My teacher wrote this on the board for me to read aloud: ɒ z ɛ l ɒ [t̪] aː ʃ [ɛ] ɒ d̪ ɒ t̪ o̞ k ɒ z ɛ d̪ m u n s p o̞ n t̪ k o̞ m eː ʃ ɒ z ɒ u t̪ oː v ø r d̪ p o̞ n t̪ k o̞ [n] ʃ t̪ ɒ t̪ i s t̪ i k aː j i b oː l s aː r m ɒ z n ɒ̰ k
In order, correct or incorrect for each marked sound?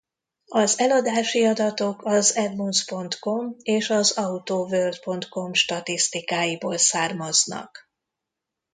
incorrect: d̪, incorrect: i, incorrect: m

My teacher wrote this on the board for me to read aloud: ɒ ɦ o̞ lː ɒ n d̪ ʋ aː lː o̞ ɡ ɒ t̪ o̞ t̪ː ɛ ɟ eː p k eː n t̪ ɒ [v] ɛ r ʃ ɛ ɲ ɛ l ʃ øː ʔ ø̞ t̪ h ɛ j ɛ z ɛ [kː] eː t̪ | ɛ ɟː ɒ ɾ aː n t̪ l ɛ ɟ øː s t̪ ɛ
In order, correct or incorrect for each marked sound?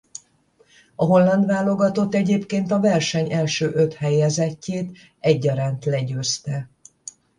correct, incorrect: cː

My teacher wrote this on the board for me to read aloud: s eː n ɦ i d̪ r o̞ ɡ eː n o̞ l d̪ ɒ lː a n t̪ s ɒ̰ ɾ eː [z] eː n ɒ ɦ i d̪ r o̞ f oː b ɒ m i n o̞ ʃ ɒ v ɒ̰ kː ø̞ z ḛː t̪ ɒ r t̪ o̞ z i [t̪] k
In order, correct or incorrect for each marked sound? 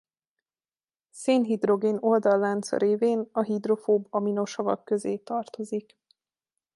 incorrect: v, incorrect: none

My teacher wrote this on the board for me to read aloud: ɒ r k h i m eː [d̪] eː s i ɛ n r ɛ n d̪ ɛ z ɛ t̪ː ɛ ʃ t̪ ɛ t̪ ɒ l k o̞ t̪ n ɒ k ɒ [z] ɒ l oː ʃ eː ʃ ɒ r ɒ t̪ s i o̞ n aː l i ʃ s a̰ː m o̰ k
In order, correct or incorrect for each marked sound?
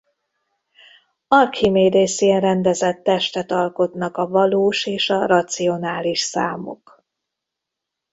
correct, incorrect: v

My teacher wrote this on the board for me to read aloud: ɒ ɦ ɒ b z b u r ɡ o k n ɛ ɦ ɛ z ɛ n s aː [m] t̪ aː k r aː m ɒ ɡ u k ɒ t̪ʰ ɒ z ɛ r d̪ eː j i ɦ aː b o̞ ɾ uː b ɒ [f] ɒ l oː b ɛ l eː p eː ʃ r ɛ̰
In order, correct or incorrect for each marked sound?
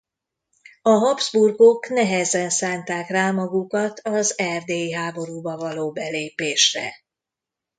incorrect: n, incorrect: v

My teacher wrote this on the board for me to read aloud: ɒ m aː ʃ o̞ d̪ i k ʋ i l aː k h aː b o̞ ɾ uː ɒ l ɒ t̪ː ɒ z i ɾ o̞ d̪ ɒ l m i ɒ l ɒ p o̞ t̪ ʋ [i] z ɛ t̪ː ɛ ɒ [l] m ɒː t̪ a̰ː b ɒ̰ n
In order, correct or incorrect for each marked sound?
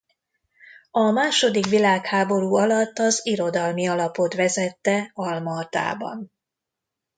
incorrect: ɛ, correct

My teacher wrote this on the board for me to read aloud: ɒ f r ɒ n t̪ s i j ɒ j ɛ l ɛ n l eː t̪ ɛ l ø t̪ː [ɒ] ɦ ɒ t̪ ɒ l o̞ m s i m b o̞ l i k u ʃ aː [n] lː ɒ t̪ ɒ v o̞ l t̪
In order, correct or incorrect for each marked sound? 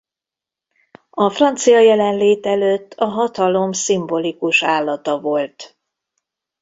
correct, incorrect: none

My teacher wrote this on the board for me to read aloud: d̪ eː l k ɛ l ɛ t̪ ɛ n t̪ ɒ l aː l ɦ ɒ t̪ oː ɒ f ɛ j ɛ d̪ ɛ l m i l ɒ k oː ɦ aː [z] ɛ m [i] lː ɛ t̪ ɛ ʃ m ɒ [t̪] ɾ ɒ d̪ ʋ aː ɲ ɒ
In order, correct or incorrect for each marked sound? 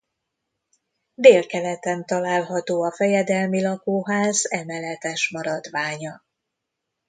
correct, incorrect: ɛ, incorrect: none

